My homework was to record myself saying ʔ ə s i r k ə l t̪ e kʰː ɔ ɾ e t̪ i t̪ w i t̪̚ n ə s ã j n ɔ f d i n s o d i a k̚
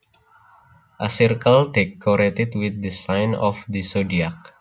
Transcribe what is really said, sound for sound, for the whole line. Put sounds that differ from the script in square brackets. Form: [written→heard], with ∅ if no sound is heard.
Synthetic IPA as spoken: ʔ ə s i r k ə l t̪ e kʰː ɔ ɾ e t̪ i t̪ w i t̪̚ [n→d] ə s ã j n ɔ f d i [n→∅] s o d i a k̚